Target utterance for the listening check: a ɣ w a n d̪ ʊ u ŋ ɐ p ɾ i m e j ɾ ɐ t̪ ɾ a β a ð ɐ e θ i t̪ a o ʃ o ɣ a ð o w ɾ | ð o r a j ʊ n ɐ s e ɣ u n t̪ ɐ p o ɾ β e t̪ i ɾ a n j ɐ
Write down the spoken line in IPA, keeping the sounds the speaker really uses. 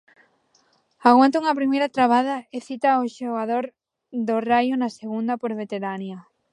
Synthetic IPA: a ɣ w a n t̪ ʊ u ŋ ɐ p ɾ i m e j ɾ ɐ t̪ ɾ a β a ð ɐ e θ i t̪ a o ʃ o ɣ a ð o ɾ | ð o r a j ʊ n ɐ s e ɣ u n d̪ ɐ p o ɾ β e t̪ e ɾ a n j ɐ